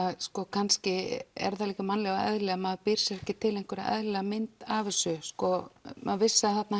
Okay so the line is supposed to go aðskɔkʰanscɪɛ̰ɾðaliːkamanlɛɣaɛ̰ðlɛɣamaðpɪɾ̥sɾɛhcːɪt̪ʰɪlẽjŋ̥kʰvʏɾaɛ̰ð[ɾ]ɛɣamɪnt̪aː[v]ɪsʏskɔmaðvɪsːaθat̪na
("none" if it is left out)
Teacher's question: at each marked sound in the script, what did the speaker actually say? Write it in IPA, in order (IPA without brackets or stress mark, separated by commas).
l, v